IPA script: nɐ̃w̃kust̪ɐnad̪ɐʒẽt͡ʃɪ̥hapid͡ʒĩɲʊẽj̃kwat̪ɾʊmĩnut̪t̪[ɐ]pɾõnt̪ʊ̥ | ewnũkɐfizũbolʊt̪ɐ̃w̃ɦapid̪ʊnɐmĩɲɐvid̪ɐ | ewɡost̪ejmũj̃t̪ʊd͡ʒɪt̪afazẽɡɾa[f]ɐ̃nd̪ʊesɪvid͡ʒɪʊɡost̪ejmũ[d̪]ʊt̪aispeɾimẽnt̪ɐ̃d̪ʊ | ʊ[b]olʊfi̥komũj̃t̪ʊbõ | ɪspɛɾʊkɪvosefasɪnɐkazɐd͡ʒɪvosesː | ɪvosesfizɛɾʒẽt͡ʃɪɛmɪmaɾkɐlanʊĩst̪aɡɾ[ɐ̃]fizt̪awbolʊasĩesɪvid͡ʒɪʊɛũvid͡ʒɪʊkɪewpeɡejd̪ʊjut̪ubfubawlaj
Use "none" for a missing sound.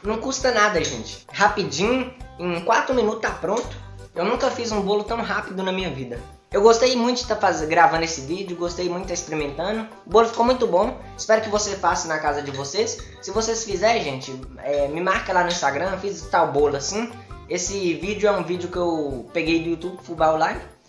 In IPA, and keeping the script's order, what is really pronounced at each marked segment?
a, v, t̪, b, ɐ̃

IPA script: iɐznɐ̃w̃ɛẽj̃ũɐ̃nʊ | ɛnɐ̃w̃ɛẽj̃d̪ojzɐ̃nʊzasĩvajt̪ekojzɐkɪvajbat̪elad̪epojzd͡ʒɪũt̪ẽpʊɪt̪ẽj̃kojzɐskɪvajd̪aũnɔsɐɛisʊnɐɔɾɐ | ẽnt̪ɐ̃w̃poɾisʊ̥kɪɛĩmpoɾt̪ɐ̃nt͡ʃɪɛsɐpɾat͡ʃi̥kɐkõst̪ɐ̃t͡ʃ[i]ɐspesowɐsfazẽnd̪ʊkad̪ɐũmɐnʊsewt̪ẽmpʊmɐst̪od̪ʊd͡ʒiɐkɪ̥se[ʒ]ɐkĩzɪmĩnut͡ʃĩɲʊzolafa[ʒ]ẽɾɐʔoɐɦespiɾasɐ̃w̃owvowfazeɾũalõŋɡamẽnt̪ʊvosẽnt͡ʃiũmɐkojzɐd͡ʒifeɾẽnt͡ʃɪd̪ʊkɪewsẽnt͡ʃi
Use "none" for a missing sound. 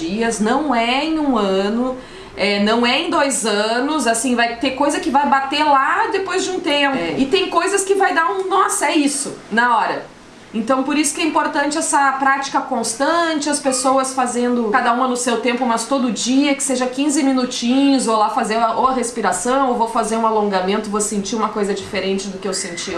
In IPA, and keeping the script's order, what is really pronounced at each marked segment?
ɪ, ʒ, z

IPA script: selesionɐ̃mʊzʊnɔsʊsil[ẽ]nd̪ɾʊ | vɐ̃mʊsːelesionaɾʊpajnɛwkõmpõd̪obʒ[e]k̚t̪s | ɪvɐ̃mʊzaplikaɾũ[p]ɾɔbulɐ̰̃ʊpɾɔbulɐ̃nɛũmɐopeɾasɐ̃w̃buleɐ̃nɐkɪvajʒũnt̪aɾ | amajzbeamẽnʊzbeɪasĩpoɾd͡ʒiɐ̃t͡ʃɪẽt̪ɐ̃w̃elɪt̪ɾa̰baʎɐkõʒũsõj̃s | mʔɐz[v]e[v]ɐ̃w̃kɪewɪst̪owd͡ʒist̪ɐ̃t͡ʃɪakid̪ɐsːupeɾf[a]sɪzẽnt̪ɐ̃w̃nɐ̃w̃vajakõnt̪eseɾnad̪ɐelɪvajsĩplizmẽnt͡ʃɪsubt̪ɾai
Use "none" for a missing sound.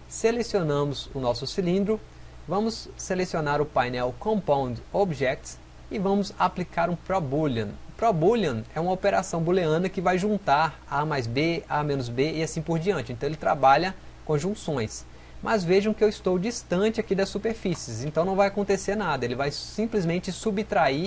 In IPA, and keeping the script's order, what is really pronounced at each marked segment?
ĩ, ɛ, p, v, ʒ, i

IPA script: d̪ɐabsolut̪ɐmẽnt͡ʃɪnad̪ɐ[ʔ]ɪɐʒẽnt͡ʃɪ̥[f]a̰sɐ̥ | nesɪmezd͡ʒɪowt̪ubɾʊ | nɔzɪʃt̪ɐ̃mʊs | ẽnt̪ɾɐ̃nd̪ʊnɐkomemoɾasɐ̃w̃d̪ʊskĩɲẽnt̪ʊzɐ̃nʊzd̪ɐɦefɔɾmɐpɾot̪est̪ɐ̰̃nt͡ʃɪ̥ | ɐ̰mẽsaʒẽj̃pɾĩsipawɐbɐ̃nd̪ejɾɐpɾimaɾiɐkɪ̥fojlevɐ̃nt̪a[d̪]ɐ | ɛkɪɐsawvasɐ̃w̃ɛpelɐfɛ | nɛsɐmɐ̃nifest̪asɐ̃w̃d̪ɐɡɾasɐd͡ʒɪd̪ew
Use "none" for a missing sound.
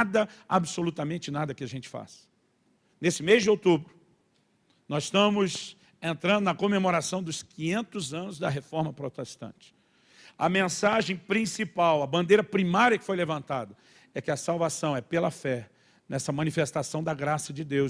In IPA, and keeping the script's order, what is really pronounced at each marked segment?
k, f, d̪

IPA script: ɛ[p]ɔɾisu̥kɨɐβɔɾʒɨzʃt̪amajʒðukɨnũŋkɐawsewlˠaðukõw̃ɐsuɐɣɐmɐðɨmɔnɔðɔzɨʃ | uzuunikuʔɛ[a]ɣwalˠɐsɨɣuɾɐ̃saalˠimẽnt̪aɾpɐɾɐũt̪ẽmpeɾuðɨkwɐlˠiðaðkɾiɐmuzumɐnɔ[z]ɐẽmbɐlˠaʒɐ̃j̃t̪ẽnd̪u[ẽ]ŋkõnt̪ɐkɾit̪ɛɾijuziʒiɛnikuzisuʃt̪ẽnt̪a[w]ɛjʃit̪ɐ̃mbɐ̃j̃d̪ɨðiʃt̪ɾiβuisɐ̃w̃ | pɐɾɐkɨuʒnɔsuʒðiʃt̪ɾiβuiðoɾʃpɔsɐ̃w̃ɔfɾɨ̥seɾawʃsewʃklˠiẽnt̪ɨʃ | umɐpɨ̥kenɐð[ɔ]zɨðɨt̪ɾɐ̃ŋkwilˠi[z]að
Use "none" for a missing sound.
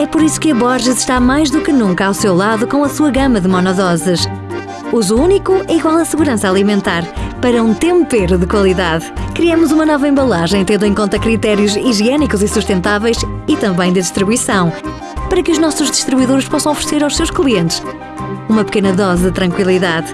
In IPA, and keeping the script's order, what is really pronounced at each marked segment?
p, i, v, ẽ, v, ɔ, ð

